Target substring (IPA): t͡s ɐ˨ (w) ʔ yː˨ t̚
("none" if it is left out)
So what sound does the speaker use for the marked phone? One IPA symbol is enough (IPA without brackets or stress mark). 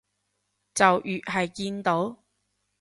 w